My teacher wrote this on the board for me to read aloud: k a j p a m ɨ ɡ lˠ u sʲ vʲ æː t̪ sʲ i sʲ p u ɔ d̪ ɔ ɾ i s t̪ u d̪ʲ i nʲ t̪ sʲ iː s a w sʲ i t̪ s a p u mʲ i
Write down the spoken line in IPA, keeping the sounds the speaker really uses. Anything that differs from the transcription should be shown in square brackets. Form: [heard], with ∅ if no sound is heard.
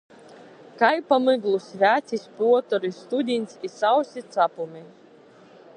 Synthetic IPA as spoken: k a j p a m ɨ ɡ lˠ u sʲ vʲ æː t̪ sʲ i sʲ p u ɔ [t̪] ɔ ɾ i s t̪ u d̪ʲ i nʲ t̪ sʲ [i] s a w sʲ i t̪ s a p u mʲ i